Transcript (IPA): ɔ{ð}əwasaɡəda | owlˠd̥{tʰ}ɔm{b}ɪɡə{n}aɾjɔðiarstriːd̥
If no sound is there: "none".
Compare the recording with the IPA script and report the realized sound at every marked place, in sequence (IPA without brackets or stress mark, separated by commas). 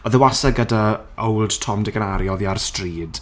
ð, tʰ, d, n